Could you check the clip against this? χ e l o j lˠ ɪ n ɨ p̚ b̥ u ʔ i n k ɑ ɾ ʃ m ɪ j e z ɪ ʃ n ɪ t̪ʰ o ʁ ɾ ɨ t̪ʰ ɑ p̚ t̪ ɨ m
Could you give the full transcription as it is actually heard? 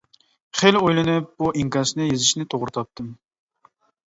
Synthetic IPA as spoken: χ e l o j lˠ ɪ n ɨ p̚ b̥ u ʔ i ŋ k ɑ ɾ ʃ n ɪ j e z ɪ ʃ n ɪ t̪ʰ o ʁ ɾ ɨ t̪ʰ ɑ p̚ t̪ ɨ m